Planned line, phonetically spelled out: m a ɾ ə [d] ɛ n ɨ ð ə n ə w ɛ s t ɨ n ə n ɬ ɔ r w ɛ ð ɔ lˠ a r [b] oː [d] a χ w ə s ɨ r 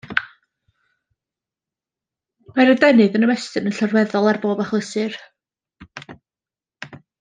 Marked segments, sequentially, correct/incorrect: correct, correct, incorrect: b

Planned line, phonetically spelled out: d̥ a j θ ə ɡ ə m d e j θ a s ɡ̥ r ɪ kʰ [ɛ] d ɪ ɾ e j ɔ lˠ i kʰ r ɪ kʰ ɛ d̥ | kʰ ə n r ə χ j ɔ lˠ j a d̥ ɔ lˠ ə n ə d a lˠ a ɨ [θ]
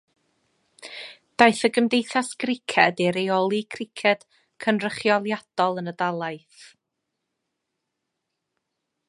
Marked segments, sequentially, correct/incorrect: correct, correct

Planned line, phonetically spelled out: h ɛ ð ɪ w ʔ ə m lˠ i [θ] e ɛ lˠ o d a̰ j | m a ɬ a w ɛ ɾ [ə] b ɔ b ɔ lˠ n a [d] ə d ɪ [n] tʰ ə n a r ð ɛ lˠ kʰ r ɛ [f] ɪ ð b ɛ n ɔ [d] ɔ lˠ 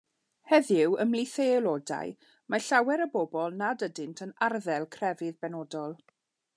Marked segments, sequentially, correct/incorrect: correct, correct, correct, correct, incorrect: v, correct

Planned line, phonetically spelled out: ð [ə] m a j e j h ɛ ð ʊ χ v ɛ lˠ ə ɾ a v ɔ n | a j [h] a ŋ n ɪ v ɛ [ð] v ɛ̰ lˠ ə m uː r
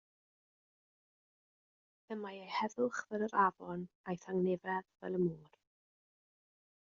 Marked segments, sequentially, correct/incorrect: correct, incorrect: θ, correct

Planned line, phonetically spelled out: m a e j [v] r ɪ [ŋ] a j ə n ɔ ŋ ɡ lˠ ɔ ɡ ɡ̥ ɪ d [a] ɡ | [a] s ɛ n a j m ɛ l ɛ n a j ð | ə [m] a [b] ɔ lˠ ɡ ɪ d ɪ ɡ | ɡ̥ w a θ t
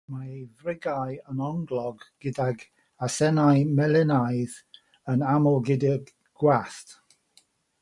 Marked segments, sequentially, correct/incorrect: correct, incorrect: ɡ, correct, correct, incorrect: n, incorrect: m

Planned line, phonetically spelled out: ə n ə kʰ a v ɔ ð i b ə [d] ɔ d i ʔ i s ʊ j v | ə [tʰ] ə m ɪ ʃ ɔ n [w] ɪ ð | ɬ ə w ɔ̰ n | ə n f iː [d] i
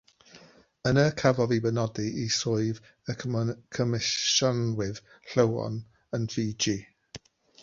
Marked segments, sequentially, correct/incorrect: incorrect: n, incorrect: kʰ, correct, incorrect: d͡ʒ

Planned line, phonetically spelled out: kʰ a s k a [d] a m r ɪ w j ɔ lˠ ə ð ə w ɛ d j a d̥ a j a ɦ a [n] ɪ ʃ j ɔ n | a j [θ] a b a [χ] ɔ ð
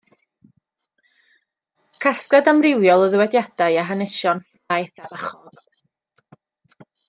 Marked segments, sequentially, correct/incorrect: correct, correct, correct, correct

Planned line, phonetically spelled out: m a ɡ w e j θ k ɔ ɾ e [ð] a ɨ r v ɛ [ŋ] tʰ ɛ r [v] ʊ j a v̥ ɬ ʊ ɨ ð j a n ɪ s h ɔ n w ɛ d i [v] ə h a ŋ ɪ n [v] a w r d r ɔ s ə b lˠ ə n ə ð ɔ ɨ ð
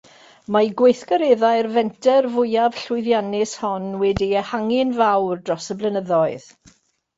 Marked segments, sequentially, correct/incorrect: correct, incorrect: n, correct, incorrect: none, correct

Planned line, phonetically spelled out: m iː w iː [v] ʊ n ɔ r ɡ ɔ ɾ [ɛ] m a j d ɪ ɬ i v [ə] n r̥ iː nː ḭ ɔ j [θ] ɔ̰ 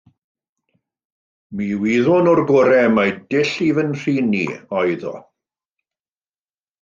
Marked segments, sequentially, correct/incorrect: incorrect: ð, correct, correct, incorrect: ð

